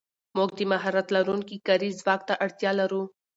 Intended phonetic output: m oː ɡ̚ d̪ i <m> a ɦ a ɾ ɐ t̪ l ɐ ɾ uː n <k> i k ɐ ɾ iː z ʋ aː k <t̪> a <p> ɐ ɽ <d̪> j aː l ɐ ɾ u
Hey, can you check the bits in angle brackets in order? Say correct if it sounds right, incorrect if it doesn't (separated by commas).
correct, correct, correct, incorrect, incorrect